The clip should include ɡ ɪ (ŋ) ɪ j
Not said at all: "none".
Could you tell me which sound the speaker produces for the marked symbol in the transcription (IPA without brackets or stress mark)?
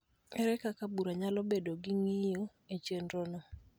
ŋ